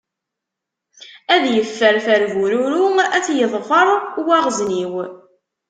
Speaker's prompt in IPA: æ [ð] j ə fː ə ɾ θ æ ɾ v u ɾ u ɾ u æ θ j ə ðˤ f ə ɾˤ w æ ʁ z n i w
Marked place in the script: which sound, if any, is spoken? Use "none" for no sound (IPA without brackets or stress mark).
ð